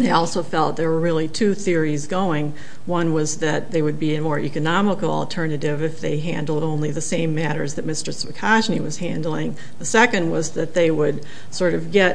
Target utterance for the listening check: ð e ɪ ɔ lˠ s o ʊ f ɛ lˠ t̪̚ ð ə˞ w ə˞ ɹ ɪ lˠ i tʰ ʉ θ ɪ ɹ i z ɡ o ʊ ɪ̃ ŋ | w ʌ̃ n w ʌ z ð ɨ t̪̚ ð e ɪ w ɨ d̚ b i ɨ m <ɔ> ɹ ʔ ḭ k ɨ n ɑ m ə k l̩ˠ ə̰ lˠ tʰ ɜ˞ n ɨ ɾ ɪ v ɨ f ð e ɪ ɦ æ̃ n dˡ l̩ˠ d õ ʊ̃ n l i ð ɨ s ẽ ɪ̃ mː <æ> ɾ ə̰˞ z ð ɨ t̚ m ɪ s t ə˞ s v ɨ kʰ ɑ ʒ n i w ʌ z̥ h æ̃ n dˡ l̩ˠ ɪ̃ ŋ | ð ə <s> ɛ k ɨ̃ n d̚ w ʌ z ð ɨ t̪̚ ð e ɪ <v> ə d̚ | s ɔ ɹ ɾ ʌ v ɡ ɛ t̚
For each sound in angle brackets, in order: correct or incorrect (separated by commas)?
correct, correct, correct, incorrect